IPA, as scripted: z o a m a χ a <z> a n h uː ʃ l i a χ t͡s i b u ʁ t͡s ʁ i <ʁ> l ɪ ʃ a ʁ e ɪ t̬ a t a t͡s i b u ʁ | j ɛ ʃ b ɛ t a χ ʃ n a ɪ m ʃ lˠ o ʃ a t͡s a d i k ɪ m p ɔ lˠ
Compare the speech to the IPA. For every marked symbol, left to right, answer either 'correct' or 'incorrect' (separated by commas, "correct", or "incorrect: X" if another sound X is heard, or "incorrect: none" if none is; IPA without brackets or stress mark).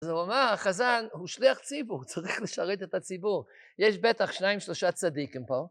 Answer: correct, incorrect: χ